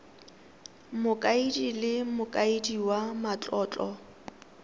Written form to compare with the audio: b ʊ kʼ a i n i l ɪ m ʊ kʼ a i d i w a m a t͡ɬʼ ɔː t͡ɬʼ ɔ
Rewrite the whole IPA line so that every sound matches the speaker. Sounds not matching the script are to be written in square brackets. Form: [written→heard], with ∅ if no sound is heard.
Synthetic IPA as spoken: [b→m] ʊ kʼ a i [n→d] i l ɪ m ʊ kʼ a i d i w a m a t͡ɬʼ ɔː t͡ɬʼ ɔ